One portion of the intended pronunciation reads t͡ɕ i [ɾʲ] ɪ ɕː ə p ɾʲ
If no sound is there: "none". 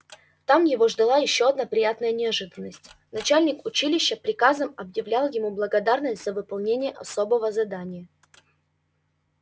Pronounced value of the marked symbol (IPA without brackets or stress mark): lʲ